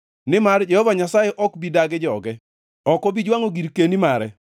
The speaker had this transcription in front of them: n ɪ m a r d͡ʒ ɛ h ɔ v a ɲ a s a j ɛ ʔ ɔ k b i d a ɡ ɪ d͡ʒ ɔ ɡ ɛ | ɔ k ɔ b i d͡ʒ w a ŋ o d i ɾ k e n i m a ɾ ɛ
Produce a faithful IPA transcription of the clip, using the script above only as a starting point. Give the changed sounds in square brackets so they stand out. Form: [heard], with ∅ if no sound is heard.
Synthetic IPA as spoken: n ɪ m a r d͡ʒ ɛ h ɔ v a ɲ a s a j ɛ ʔ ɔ k b i d a ɡ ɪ d͡ʒ ɔ ɡ ɛ | ɔ k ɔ b i d͡ʒ w a ŋ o [ɡ] i ɾ k e n i m a ɾ ɛ